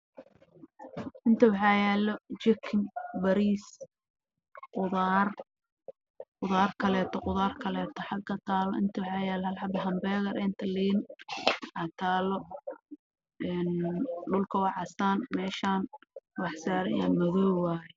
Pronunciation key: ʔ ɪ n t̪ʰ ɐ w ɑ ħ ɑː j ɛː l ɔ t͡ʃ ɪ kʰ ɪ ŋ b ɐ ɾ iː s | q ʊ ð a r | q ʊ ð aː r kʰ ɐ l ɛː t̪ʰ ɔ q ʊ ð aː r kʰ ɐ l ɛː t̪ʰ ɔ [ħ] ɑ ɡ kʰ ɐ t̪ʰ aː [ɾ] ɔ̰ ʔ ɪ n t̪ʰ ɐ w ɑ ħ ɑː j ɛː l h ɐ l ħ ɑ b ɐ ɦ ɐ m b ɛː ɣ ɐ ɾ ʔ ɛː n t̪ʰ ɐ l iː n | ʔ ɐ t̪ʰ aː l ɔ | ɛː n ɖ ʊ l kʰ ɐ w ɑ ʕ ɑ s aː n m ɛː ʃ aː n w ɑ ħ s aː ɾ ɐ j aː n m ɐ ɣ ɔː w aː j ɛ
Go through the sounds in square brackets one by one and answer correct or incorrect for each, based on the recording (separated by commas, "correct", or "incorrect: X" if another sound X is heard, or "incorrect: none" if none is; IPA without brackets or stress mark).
correct, incorrect: l